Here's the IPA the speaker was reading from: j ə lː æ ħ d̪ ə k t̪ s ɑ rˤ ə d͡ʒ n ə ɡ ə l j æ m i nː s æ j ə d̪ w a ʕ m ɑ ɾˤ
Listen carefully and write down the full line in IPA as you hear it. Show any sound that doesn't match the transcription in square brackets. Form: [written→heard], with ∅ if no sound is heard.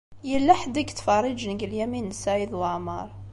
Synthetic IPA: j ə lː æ ħ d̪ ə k t̪ [s→f] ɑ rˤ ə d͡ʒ n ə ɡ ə l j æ m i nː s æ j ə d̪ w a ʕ m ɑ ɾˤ